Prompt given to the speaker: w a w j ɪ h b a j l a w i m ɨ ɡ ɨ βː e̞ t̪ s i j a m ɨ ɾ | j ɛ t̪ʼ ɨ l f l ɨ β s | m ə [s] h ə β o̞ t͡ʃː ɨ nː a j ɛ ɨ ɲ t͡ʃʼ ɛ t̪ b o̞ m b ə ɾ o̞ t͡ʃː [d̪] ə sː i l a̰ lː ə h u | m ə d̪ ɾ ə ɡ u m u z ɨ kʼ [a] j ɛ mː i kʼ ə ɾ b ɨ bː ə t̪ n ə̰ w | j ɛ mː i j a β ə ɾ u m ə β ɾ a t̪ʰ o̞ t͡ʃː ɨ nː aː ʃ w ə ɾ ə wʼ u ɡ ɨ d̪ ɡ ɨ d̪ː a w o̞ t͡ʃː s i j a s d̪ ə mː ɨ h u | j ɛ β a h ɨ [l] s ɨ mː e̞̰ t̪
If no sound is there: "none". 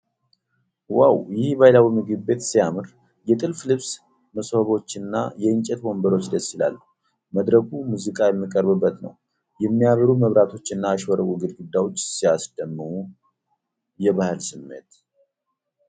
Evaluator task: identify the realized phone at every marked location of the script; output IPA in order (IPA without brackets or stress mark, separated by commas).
s, d̪, a, l